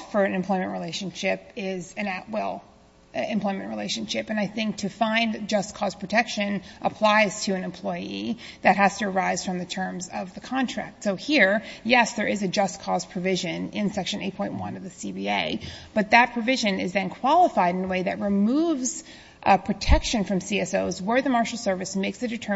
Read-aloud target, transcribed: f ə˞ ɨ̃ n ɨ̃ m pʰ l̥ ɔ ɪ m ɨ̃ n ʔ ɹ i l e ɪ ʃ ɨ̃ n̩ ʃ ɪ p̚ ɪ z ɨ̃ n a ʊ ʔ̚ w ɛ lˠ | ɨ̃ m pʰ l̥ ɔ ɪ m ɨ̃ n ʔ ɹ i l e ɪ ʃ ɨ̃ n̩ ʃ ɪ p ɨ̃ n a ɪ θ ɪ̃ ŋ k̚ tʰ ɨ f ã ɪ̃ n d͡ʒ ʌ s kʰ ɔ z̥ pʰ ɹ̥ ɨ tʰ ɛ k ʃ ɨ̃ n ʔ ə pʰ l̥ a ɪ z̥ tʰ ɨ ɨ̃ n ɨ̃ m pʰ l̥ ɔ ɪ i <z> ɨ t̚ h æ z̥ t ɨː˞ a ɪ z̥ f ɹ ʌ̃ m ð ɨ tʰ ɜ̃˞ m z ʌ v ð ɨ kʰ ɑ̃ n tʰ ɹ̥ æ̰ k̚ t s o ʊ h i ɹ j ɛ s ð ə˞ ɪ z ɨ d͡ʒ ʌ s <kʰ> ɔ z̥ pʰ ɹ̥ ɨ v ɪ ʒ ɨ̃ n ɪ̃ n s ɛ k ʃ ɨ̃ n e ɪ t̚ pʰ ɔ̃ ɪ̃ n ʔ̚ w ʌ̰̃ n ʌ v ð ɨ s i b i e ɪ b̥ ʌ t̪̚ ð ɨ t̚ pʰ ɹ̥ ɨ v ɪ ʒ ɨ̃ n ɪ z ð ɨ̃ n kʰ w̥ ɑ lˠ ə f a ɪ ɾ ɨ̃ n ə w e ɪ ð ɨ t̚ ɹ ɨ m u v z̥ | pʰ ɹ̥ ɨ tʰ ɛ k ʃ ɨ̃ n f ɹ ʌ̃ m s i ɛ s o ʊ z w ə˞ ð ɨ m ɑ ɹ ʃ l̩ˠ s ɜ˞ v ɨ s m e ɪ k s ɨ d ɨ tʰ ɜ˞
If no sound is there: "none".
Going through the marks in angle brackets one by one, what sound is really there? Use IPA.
ð, kʰ

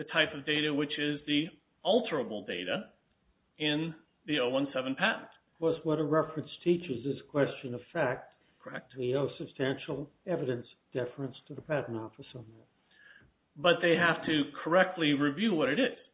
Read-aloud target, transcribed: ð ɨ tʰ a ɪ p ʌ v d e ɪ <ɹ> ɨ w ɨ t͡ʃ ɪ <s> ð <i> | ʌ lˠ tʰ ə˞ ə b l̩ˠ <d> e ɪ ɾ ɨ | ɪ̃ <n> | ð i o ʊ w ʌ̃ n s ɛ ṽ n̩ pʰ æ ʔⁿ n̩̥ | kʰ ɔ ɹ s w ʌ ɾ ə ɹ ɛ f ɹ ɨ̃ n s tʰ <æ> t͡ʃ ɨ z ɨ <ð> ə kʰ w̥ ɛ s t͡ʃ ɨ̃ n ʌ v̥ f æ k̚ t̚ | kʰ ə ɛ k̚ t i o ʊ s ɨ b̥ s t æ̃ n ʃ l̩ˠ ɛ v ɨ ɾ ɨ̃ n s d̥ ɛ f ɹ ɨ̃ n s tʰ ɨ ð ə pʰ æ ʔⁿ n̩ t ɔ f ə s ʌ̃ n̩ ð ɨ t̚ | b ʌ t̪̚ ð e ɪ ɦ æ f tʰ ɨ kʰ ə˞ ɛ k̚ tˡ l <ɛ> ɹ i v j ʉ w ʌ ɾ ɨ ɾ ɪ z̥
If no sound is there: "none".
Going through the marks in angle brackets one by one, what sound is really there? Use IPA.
ɾ, z, i, d, n, i, z, i

